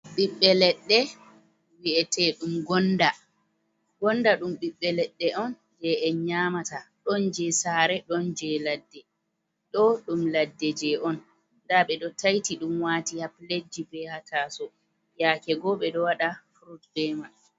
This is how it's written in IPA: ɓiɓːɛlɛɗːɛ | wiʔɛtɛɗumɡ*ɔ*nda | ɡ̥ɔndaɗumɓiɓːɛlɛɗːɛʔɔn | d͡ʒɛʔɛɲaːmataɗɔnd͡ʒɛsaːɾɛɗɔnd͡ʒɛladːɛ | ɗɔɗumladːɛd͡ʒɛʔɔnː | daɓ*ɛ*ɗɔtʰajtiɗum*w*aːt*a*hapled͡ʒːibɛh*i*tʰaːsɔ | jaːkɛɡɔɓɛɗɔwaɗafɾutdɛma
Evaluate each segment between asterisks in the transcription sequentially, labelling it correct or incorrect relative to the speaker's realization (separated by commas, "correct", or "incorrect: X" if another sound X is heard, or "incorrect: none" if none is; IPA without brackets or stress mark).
correct, correct, correct, incorrect: i, incorrect: a